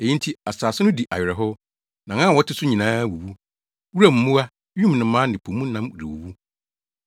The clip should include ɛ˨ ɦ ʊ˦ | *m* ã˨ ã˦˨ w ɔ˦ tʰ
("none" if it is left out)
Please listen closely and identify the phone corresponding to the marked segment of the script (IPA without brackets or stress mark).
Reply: n